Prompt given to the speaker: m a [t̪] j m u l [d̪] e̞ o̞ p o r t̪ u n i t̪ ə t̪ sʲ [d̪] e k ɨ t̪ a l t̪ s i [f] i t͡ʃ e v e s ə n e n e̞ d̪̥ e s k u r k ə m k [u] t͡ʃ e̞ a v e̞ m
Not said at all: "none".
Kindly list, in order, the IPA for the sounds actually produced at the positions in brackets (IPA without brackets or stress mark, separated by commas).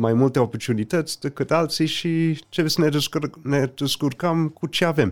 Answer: none, t̪, d̪, ʃ, u